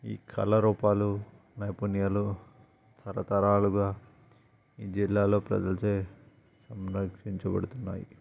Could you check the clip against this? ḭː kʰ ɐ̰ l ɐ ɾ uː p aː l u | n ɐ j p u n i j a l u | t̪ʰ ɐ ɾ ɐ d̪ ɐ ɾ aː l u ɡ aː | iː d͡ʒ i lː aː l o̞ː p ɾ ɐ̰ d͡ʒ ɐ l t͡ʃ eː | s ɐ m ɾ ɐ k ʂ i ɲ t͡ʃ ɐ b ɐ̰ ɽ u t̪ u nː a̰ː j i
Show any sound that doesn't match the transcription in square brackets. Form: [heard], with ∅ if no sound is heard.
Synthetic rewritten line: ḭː kʰ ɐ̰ l ɐ ɾ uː p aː l u | n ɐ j p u n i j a l u | t̪ʰ ɐ ɾ ɐ [t̪] ɐ ɾ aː l u ɡ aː | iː d͡ʒ i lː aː l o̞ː p ɾ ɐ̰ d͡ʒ ɐ l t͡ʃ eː | s ɐ m ɾ ɐ k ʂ i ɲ t͡ʃ ɐ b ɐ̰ ɽ u t̪ u nː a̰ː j i